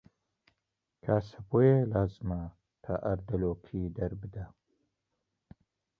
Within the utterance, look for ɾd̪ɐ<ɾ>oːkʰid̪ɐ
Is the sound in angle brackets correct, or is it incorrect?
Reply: incorrect